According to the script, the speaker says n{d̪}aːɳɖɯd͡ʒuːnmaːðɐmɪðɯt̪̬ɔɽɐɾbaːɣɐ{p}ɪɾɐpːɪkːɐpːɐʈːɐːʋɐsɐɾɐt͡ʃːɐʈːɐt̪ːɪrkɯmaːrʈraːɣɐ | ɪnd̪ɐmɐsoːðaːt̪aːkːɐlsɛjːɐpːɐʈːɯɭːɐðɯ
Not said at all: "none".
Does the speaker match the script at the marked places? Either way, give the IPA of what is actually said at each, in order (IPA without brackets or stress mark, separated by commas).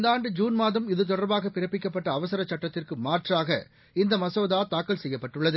d̪, p